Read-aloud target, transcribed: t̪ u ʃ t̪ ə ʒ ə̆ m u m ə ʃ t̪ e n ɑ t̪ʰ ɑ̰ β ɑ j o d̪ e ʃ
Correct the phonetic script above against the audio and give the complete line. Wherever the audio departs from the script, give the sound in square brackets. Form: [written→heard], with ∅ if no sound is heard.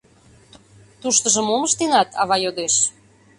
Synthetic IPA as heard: t̪ u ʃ t̪ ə ʒ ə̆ m [u→o] m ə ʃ t̪ e n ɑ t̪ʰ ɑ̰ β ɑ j o d̪ e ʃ